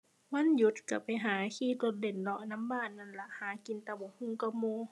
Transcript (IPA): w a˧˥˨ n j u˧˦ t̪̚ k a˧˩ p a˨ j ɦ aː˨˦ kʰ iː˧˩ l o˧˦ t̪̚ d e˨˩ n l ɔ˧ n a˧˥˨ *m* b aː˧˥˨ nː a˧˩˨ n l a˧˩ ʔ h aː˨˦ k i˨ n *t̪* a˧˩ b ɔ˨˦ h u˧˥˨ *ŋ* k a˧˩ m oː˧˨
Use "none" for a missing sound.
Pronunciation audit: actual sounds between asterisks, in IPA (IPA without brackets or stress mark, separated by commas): m, t̪, ŋ